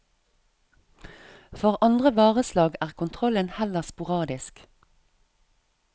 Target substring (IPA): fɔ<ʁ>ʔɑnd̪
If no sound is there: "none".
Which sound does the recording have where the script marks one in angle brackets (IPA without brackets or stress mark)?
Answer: ʁ